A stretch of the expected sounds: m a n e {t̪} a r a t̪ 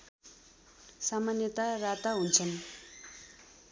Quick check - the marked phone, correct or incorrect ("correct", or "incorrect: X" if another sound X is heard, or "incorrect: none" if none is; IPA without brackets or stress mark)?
correct